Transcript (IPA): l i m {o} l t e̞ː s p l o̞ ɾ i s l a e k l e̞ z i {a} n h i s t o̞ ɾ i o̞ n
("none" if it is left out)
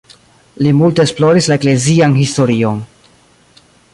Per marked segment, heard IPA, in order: u, a

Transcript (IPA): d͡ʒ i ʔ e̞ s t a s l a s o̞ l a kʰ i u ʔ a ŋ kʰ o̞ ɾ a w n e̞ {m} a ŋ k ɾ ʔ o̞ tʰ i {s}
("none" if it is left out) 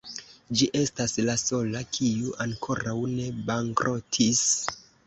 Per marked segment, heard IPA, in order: b, s

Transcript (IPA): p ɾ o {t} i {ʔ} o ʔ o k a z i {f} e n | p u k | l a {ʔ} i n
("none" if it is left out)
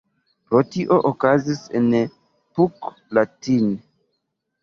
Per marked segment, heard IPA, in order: t, ʔ, s, t

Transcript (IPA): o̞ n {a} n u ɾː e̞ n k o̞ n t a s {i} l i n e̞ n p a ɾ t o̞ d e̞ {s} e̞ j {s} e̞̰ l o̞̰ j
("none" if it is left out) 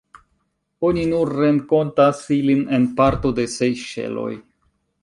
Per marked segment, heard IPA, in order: i, i, s, ʃ

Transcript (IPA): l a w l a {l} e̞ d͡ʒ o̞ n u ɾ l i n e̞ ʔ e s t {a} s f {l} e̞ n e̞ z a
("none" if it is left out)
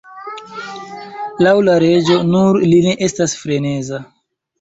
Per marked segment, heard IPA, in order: ɾ, a, ɾ

